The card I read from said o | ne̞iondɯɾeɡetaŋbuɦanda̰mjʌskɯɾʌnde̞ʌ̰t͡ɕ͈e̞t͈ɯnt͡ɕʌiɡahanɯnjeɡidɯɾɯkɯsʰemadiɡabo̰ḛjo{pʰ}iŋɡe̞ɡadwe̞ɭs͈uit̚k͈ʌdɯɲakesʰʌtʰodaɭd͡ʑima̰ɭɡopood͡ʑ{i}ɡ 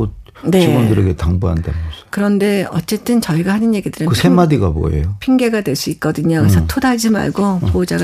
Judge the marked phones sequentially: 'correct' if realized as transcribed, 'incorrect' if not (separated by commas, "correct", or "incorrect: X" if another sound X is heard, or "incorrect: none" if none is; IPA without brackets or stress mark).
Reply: correct, incorrect: a